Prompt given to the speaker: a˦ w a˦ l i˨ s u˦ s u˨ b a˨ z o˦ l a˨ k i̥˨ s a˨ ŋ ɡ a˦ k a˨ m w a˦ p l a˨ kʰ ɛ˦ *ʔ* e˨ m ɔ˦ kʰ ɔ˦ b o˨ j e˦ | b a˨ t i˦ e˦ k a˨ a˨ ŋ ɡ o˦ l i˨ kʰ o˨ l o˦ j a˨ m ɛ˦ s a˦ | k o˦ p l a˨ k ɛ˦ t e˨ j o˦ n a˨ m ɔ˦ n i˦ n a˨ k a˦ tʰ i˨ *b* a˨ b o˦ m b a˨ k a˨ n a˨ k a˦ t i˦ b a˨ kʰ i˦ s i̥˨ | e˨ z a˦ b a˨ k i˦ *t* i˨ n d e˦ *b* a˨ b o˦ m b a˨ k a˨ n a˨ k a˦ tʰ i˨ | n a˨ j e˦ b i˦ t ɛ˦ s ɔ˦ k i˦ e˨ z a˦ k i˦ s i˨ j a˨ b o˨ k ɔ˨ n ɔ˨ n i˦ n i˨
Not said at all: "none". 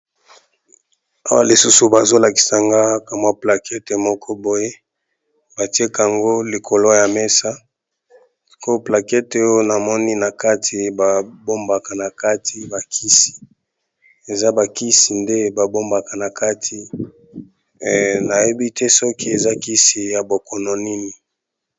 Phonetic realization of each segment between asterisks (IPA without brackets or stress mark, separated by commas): t, b, s, b